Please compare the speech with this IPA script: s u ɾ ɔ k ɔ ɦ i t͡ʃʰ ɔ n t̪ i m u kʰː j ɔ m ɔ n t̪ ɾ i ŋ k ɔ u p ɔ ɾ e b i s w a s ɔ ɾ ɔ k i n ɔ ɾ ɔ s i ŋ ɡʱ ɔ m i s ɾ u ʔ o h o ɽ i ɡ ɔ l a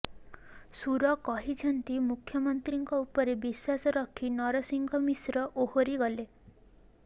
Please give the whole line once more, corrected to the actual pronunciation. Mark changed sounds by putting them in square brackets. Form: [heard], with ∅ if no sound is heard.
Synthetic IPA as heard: s u ɾ ɔ k ɔ ɦ i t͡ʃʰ ɔ n t̪ i m u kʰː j ɔ m ɔ n t̪ ɾ i ŋ k ɔ u p ɔ ɾ e b i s w a s ɔ ɾ ɔ [kʰ] i n ɔ ɾ ɔ s i ŋ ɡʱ ɔ m i s ɾ [ɔ] ʔ o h o [ɾ] i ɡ ɔ l [e]

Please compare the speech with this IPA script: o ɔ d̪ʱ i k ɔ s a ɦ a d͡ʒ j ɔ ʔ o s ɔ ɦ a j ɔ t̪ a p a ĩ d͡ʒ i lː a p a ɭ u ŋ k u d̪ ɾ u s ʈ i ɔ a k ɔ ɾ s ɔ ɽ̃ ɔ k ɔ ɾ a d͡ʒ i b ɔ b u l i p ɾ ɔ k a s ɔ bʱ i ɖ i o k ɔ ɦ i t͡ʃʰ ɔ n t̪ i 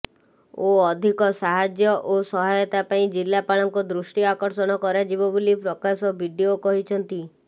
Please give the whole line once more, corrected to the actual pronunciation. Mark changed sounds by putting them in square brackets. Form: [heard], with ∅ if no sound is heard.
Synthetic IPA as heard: o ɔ d̪ʱ i k ɔ s a ɦ a d͡ʒ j ɔ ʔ o s ɔ ɦ a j ɔ t̪ a p a ĩ d͡ʒ i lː a p a ɭ [ɔ] ŋ k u d̪ ɾ u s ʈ i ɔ a k ɔ ɾ s ɔ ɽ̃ ɔ k ɔ ɾ a d͡ʒ i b ɔ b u l i p ɾ ɔ k a s ɔ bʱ i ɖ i o k ɔ ɦ i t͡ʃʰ ɔ n t̪ i

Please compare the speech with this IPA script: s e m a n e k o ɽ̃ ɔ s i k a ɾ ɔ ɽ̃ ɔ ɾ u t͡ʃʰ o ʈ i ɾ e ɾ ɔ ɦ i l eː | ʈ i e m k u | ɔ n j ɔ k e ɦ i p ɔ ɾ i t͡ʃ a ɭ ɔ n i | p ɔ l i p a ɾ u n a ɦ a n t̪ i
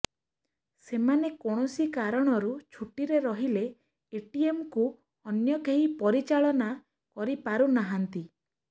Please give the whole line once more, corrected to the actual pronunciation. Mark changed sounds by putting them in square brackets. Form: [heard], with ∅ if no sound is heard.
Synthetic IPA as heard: s e m a n e k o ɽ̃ ɔ s i k a ɾ ɔ ɽ̃ ɔ ɾ u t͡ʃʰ [u] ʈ i ɾ e ɾ ɔ ɦ i l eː | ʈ i e m k u | ɔ n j ɔ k e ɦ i p ɔ ɾ i t͡ʃ a ɭ ɔ n [a] | [k] ɔ [ɾ] i p a ɾ u n a ɦ a n t̪ i

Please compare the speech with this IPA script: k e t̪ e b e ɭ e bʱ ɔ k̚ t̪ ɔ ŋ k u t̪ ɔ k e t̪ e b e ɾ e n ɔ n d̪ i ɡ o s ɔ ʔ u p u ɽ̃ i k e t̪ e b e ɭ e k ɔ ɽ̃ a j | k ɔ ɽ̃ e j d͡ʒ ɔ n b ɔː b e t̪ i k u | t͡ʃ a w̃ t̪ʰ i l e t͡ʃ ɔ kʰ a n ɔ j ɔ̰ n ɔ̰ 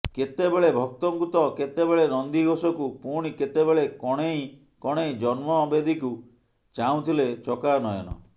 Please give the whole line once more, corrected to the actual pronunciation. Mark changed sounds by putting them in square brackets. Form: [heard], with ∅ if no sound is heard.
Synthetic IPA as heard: k e t̪ e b e ɭ e bʱ ɔ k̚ t̪ ɔ ŋ k u t̪ ɔ k e t̪ e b e [ɭ] e n ɔ n d̪ i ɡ o s ɔ [k] u p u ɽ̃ i k e t̪ e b e ɭ e k ɔ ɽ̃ [e] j | k ɔ ɽ̃ e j d͡ʒ ɔ n [m] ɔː b e [d̪] i k u | t͡ʃ a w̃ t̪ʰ i l e t͡ʃ ɔ [k] a n ɔ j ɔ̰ n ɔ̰

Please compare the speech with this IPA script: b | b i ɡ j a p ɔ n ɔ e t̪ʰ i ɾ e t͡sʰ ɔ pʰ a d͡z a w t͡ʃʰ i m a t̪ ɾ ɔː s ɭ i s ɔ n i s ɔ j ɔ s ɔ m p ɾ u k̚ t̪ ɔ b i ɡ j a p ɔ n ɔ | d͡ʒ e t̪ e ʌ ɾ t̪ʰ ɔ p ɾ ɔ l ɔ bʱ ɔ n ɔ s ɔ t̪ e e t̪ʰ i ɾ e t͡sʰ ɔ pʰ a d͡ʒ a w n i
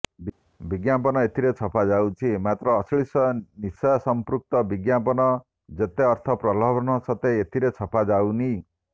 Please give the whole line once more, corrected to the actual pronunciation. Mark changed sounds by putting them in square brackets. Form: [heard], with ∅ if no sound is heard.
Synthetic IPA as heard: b | b i ɡ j a p ɔ n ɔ e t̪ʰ i ɾ e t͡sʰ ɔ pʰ a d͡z a w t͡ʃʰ i m a t̪ ɾ ɔː s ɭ i s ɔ n i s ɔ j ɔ s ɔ m p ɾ u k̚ t̪ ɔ b i ɡ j a p ɔ n ɔ | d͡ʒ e t̪ e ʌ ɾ t̪ʰ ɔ p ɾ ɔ l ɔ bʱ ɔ n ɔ s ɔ t̪ e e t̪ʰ i ɾ e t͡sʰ ɔ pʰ a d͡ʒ a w n i

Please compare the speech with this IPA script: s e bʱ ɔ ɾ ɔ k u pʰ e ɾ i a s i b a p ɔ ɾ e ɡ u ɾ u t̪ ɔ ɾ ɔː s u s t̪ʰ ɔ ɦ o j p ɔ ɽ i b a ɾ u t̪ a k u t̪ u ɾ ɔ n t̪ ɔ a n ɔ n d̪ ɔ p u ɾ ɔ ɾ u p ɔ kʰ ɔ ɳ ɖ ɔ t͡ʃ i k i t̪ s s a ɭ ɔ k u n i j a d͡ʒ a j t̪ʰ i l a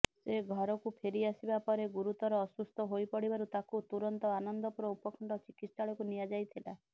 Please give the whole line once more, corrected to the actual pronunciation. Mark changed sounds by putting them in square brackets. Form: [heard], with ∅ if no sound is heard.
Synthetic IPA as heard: s e [ɡʱ] ɔ ɾ ɔ k u pʰ e ɾ i a s i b a p ɔ ɾ e ɡ u ɾ u t̪ ɔ ɾ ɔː s u s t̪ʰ ɔ ɦ o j p ɔ ɽ i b a ɾ u t̪ a k u t̪ u ɾ ɔ n t̪ ɔ a n ɔ n d̪ ɔ p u ɾ ɔ [∅] u p ɔ kʰ ɔ ɳ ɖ ɔ t͡ʃ i k i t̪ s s a ɭ ɔ k u n i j a d͡ʒ a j t̪ʰ i l a

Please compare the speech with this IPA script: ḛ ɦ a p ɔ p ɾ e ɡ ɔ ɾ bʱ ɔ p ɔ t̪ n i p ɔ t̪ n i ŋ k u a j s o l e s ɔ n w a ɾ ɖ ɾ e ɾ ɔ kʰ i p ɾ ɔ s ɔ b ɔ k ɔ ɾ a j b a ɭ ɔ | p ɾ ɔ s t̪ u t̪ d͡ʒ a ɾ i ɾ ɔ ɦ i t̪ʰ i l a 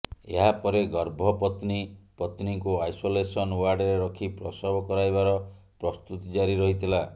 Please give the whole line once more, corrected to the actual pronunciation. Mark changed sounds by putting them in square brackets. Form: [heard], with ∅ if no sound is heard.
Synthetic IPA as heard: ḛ ɦ a p ɔ [∅] ɾ e ɡ ɔ ɾ bʱ ɔ p ɔ t̪ n i p ɔ t̪ n i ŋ k u a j s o l e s ɔ n w a ɾ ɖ ɾ e ɾ ɔ kʰ i p ɾ ɔ s ɔ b ɔ k ɔ ɾ a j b a [ɾ] ɔ | p ɾ ɔ s t̪ u t̪ d͡ʒ a ɾ i ɾ ɔ ɦ i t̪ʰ i l a

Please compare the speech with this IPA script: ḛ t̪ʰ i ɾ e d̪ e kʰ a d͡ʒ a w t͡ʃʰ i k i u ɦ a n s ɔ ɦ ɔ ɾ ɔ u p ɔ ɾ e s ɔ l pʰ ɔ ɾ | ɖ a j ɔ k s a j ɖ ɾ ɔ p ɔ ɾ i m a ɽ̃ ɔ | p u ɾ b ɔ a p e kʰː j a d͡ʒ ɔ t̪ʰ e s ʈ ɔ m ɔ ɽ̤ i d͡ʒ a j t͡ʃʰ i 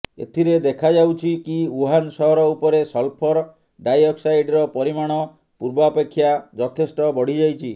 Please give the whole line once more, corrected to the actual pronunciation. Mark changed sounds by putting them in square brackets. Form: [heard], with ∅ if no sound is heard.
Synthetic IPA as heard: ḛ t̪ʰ i ɾ e d̪ e kʰ a d͡ʒ a w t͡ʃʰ i k i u ɦ a n s ɔ ɦ ɔ ɾ ɔ u p ɔ ɾ e s ɔ l pʰ ɔ ɾ | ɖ a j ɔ k s a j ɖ ɾ ɔ p ɔ ɾ i m a ɽ̃ ɔ | p u ɾ b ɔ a p e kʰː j a d͡ʒ ɔ t̪ʰ e s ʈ ɔ [b] ɔ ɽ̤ i d͡ʒ a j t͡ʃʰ i

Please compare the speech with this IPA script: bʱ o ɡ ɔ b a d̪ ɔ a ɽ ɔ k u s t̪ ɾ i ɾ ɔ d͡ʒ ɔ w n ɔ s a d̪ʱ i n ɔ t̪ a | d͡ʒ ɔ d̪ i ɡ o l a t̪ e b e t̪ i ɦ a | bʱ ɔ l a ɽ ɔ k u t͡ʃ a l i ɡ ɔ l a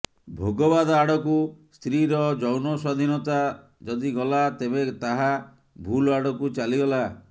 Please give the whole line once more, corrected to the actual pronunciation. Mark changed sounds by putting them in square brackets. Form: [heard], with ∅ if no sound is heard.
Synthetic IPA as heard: bʱ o ɡ ɔ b a d̪ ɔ a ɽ ɔ k u s t̪ ɾ i ɾ ɔ d͡ʒ ɔ w n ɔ s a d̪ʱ i n ɔ t̪ a | d͡ʒ ɔ d̪ i ɡ [ɔ] l a t̪ e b e t̪ [a] ɦ a | bʱ [u] l a ɽ ɔ k u t͡ʃ a l i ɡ ɔ l a

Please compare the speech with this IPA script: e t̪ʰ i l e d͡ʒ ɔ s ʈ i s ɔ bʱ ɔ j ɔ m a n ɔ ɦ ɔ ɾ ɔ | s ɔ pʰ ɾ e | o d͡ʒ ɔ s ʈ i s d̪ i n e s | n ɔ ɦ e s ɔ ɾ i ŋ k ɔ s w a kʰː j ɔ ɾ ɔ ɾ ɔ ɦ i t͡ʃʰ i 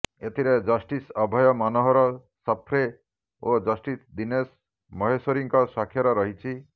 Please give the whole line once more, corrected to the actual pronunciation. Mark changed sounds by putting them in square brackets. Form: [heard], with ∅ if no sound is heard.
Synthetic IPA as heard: e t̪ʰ i [ɾ] e d͡ʒ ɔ s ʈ i s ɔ bʱ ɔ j ɔ m a n ɔ ɦ ɔ ɾ ɔ | s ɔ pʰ ɾ e | o d͡ʒ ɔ s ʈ i s d̪ i n e s | [m] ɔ ɦ e s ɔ ɾ i ŋ k ɔ s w a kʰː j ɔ ɾ ɔ ɾ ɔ ɦ i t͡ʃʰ i

